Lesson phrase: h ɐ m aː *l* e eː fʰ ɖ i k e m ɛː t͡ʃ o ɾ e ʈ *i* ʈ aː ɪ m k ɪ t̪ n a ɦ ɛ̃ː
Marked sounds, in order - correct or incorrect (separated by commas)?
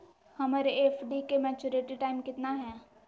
incorrect, correct